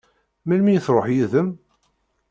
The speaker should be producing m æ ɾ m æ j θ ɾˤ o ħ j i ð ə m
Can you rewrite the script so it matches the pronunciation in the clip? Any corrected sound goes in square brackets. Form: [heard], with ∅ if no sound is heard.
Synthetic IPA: m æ [l] m [i] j θ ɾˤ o ħ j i ð ə m